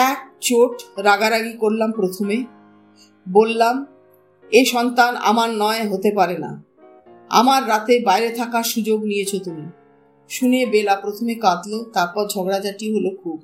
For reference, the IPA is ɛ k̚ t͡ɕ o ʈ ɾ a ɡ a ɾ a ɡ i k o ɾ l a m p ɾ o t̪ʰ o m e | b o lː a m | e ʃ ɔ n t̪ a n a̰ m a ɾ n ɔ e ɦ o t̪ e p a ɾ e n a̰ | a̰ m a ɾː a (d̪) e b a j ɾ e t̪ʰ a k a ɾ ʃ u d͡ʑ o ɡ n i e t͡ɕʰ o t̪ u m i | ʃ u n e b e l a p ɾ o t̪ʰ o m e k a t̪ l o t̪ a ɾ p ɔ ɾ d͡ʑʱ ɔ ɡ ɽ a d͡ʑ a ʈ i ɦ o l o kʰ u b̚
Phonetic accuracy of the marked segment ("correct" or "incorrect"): incorrect